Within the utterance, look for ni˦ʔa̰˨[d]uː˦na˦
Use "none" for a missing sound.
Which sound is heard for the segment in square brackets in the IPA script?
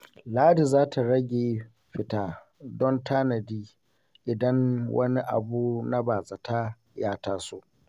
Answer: b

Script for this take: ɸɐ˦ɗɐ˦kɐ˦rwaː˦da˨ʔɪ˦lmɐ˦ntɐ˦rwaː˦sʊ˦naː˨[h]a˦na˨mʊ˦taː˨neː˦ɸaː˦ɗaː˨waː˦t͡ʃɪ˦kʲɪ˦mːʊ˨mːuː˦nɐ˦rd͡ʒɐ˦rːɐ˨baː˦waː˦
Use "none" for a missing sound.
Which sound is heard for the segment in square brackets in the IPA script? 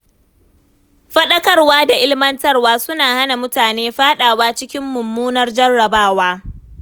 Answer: h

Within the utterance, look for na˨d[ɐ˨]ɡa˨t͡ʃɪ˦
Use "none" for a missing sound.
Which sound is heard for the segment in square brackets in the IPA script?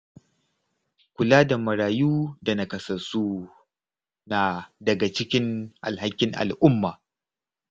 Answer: ɐ˨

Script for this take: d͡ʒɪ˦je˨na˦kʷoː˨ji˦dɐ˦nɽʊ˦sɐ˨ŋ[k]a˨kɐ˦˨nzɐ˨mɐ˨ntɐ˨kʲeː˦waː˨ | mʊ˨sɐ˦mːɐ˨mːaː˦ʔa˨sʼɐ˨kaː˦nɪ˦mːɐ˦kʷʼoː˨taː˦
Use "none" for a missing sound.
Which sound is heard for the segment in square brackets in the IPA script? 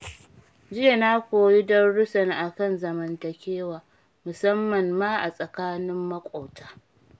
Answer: ʔ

